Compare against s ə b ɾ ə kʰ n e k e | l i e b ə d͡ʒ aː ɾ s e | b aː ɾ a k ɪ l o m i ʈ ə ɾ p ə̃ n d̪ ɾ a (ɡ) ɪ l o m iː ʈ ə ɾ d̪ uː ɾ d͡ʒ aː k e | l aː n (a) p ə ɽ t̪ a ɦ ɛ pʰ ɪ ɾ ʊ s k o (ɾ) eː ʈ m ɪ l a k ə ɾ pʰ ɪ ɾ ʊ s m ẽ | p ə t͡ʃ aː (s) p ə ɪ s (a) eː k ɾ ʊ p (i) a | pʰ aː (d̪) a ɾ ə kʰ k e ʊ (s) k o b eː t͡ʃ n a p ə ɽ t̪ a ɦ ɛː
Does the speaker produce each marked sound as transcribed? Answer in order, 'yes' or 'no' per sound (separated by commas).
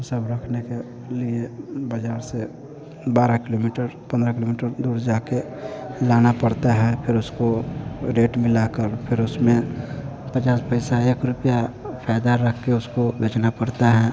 no, yes, yes, yes, yes, no, yes, yes